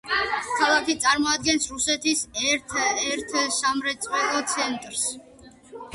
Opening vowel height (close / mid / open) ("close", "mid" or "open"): open